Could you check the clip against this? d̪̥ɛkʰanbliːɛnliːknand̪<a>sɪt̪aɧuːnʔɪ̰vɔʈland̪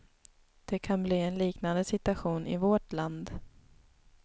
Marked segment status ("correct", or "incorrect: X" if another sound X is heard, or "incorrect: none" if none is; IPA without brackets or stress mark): incorrect: ə